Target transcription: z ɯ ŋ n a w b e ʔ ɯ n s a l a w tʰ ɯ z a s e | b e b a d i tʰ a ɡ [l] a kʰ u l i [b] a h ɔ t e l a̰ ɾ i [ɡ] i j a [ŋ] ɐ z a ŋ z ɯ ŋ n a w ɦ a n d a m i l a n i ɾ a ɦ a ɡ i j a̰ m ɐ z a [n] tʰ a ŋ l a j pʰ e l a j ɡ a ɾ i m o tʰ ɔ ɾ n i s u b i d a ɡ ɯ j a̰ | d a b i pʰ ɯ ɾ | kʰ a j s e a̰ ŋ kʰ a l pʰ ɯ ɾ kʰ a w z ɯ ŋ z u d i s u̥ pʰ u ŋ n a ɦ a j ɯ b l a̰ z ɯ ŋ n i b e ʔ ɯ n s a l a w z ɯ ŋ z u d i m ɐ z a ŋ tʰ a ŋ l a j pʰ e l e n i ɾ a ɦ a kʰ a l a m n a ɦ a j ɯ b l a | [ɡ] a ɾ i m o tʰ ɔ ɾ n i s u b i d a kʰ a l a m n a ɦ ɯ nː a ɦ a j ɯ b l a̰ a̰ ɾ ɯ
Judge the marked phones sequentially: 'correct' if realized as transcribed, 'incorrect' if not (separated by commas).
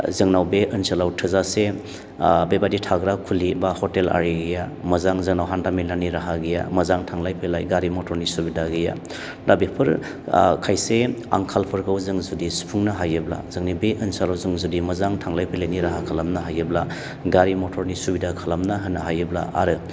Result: incorrect, correct, correct, incorrect, incorrect, correct